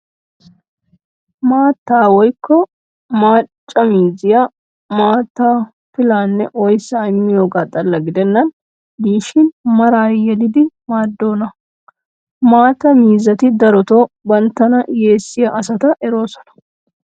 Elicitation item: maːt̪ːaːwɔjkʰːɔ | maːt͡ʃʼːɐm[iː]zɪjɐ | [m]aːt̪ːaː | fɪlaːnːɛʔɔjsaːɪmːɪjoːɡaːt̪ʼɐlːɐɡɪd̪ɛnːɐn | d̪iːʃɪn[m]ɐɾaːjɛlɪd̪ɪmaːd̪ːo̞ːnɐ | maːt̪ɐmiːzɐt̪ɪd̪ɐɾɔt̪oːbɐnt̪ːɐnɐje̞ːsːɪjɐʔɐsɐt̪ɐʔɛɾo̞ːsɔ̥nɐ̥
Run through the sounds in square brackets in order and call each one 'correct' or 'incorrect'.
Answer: correct, correct, correct

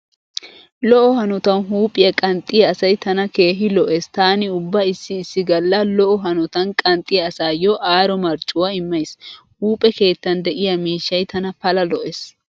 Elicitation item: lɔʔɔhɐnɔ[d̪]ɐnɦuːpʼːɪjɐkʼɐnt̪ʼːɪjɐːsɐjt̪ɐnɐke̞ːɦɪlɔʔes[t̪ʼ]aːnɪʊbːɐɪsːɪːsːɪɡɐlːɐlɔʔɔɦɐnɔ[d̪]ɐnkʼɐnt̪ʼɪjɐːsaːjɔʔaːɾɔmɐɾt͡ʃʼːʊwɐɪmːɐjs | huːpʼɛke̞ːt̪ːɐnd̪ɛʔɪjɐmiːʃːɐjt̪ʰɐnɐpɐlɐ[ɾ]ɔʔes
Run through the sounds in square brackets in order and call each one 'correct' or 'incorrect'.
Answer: incorrect, incorrect, incorrect, incorrect

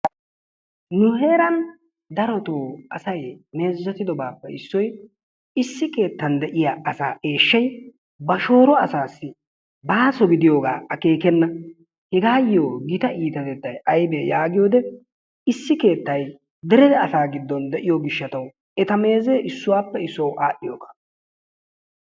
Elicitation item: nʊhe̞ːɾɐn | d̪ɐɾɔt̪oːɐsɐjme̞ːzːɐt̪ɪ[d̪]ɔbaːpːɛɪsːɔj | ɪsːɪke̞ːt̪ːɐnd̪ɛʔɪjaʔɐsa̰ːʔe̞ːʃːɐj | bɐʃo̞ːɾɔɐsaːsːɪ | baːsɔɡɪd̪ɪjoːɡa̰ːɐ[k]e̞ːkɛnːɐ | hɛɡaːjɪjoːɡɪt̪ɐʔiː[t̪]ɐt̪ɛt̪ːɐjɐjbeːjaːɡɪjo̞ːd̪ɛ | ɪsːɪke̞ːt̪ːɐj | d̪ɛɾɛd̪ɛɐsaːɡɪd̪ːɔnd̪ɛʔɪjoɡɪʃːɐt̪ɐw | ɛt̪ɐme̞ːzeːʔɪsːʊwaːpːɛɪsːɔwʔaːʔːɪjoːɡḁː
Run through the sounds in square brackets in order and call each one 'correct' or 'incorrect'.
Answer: correct, correct, correct

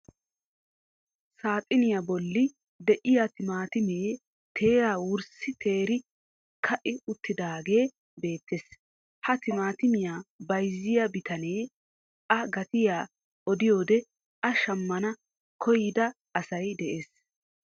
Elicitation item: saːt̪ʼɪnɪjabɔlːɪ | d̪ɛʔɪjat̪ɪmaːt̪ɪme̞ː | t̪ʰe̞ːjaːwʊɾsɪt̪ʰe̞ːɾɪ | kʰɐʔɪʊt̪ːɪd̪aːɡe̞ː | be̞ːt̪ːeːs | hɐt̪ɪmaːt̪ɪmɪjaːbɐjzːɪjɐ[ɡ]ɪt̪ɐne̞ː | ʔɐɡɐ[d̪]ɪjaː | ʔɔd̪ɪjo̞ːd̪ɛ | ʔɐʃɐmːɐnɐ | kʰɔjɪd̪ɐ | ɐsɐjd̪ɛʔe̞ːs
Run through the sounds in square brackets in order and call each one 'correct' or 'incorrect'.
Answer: incorrect, incorrect

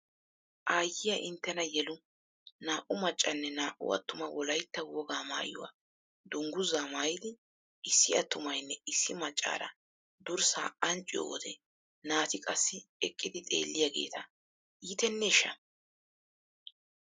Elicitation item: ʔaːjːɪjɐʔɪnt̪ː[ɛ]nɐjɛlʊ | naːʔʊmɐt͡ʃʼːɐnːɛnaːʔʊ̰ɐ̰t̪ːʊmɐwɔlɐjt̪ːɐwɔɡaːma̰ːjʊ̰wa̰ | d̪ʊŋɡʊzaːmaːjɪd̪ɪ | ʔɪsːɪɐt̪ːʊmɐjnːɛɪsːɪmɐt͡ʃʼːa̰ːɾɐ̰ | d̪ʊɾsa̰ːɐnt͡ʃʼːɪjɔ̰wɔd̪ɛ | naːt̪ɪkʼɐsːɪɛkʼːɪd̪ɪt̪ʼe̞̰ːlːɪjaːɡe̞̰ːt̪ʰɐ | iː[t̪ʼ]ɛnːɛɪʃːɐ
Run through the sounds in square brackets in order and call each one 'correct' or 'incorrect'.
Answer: correct, incorrect

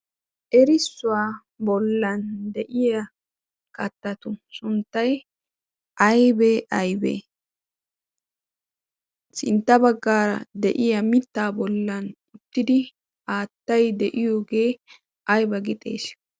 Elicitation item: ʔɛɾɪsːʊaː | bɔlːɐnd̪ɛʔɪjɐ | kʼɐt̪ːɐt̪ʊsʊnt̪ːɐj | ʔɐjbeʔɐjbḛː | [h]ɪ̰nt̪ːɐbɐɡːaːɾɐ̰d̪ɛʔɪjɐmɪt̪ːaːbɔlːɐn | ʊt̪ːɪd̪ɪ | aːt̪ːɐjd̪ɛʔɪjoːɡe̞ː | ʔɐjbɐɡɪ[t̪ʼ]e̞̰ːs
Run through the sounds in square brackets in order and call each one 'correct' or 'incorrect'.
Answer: incorrect, correct

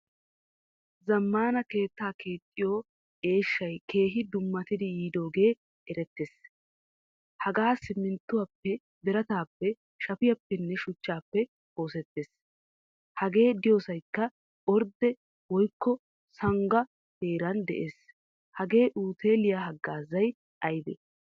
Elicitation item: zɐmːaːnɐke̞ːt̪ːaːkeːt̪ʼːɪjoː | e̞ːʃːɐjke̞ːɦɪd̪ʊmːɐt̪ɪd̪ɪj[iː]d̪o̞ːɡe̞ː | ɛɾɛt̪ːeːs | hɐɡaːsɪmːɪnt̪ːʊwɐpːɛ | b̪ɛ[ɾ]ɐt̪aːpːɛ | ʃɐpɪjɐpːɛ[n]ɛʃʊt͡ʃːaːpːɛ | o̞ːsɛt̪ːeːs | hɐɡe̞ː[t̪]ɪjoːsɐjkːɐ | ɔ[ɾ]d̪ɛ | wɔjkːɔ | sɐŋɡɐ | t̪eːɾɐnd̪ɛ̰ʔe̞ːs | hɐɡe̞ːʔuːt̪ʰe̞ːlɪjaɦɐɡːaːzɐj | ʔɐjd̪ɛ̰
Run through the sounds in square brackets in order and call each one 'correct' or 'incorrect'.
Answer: correct, correct, incorrect, incorrect, correct

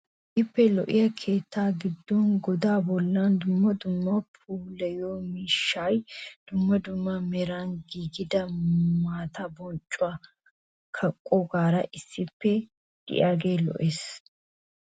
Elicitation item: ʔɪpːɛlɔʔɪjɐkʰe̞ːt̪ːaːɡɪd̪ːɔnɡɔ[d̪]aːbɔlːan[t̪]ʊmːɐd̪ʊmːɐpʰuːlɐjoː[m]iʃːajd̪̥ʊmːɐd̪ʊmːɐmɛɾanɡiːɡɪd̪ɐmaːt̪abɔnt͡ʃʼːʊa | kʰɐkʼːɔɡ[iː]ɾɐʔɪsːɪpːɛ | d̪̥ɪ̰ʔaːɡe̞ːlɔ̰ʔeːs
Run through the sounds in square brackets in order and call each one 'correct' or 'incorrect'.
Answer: correct, incorrect, correct, incorrect

